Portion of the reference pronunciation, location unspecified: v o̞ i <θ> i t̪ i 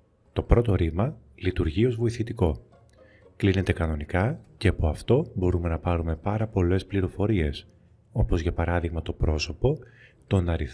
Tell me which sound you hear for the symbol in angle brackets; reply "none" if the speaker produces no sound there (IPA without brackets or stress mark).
θ